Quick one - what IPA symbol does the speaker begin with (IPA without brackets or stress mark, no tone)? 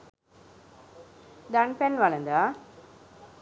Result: d̪